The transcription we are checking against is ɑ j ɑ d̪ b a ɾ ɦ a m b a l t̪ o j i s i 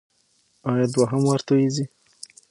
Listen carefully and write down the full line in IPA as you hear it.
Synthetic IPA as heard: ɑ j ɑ d̪ w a ɦ a m w a ɾ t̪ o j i z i